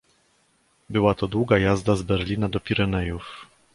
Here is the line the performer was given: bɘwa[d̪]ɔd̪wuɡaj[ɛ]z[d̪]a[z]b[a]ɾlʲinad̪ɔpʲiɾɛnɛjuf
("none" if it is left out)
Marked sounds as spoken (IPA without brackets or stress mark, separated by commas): t̪, a, d̪, z, ɛ